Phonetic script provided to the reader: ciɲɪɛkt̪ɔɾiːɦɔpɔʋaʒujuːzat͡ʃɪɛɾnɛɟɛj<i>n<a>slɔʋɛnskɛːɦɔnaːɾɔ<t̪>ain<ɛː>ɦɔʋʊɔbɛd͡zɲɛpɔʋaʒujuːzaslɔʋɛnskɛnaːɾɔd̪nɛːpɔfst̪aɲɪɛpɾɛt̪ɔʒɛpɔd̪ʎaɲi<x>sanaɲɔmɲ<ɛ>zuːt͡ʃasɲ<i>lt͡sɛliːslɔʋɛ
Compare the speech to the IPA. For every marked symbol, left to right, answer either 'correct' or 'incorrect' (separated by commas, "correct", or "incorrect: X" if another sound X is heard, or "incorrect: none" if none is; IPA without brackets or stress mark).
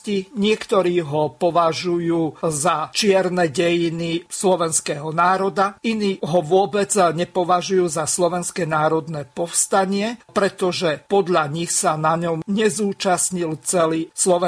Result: correct, incorrect: i, incorrect: d̪, incorrect: iː, correct, correct, correct